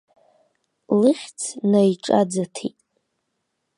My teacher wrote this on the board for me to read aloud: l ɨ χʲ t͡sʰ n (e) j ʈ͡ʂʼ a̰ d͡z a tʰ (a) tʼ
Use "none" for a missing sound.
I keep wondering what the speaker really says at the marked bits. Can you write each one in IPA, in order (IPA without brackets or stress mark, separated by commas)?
a, i